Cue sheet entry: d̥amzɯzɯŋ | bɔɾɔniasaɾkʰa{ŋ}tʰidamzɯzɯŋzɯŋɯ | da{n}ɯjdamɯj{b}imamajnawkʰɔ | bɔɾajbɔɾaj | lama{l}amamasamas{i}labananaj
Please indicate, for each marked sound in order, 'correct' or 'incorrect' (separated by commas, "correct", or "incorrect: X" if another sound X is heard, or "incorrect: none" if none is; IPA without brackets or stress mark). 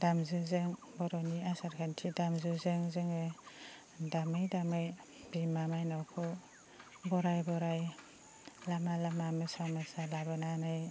incorrect: n, incorrect: m, correct, correct, incorrect: a